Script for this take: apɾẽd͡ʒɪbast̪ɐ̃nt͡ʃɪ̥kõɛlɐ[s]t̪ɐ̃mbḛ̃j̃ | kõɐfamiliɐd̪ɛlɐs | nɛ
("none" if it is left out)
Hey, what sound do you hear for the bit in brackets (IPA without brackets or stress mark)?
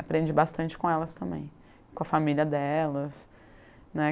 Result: s